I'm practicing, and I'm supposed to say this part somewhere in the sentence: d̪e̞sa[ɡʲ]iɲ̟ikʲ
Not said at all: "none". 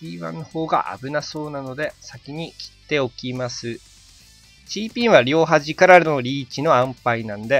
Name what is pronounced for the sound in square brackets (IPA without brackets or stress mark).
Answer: kʲ